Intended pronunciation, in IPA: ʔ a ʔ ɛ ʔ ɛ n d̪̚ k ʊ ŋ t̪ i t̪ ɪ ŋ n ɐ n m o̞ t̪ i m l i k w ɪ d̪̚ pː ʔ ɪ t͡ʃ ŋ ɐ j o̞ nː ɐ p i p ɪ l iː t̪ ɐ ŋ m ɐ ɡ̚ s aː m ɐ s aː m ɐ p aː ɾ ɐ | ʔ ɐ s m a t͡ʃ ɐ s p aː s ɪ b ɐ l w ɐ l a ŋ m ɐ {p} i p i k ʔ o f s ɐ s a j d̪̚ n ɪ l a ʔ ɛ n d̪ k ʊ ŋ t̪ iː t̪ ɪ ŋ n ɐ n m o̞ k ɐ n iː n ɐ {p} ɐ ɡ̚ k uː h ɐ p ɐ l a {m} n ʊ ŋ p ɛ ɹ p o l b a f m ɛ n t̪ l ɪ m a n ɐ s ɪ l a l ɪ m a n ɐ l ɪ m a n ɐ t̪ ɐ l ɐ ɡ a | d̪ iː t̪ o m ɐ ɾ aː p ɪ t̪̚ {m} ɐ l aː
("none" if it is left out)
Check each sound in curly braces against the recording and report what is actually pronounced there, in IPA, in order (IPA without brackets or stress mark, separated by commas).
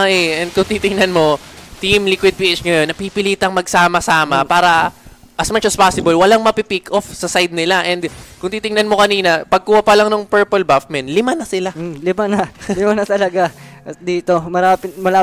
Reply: p, p, ŋ, m